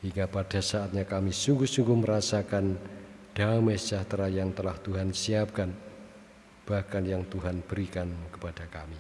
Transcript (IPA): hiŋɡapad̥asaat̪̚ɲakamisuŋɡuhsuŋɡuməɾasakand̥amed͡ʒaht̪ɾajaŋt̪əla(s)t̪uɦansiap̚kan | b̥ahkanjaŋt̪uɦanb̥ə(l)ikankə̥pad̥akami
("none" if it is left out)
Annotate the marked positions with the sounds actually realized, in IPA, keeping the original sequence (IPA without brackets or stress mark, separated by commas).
h, ɾ